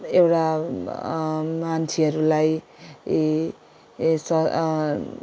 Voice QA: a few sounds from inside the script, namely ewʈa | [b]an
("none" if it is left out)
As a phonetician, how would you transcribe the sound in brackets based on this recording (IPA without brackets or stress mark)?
m